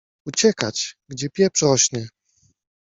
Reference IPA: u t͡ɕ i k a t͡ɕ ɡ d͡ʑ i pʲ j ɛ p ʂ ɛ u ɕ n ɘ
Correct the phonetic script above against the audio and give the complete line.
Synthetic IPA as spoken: u t͡ɕ ɛ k a t͡ɕ ɡ d͡ʑ ɛ pʲ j ɛ p ʂ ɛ ɔ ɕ n ɘ